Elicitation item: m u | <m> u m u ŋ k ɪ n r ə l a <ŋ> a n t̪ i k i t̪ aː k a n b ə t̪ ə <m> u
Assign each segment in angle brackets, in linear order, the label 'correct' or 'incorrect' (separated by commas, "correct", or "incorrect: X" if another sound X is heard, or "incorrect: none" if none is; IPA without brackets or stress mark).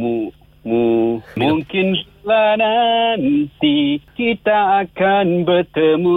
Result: correct, incorrect: n, correct